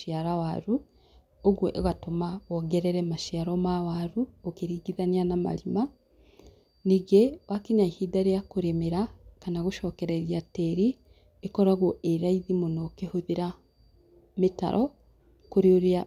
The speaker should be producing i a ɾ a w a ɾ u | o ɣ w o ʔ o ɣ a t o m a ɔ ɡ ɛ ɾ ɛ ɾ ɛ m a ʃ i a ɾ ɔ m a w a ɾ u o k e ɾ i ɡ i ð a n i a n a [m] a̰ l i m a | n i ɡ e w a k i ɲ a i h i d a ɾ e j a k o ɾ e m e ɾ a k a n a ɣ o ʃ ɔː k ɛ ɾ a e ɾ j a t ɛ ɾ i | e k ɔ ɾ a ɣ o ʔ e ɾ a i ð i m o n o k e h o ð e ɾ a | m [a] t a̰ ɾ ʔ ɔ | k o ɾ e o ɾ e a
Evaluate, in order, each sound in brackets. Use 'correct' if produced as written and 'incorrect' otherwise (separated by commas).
correct, incorrect